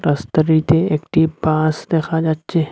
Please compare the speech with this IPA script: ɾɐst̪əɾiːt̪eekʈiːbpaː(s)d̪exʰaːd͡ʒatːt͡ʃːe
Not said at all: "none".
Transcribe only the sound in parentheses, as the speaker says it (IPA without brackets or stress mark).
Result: s